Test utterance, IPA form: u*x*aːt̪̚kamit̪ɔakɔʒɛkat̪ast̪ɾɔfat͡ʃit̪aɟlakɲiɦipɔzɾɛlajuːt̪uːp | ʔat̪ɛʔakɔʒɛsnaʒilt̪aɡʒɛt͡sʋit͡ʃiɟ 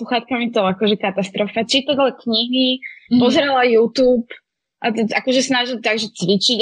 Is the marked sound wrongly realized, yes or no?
no